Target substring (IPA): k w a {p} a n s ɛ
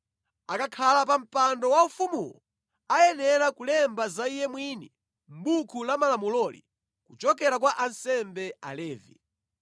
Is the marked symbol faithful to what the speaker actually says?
no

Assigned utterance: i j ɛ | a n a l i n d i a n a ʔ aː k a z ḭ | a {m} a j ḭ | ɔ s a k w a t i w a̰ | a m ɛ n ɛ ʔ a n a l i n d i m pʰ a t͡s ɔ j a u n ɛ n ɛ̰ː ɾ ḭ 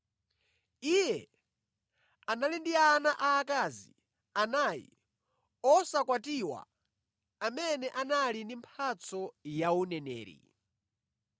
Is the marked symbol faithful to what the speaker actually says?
no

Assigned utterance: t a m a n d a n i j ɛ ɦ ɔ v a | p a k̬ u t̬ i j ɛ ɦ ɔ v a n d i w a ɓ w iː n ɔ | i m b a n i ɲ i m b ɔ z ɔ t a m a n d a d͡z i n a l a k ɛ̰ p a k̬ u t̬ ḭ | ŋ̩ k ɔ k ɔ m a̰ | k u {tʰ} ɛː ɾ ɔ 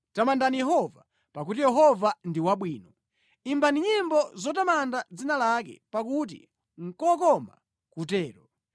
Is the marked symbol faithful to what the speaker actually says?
no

